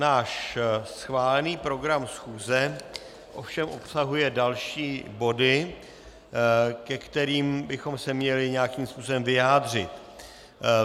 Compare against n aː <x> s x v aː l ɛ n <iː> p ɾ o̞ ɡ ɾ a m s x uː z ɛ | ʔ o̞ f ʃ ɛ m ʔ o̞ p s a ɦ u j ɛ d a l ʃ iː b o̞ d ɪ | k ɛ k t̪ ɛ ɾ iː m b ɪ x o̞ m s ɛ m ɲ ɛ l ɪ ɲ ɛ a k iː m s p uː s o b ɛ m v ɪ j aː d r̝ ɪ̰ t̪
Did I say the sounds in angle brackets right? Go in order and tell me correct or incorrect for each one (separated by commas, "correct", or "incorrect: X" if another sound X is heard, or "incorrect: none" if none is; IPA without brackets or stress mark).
incorrect: ʃ, correct